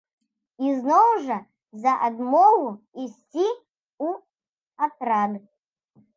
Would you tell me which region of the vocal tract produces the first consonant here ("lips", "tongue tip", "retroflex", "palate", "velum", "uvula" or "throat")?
tongue tip